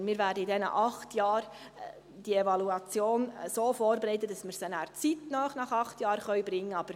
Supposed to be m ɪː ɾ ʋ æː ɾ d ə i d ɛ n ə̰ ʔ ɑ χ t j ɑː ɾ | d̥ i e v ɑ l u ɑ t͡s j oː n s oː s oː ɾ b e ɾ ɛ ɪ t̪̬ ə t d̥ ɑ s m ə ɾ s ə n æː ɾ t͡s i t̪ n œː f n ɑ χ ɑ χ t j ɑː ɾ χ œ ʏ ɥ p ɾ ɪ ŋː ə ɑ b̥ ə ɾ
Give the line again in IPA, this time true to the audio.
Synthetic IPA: m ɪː ɾ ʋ æː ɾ d ə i d ɛ n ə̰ ʔ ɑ χ t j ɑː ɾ | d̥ i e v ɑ l u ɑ t͡s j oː n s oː f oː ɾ b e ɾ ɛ ɪ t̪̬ ə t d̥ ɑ s m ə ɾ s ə n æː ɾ t͡s i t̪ n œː χ n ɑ χ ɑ χ t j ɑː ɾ χ œ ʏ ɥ b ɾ ɪ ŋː ə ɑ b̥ ə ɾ